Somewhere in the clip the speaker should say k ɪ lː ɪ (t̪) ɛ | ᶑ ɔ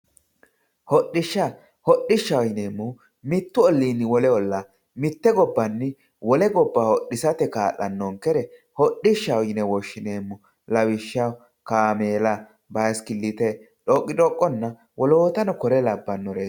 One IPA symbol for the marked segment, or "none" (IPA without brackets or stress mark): t̪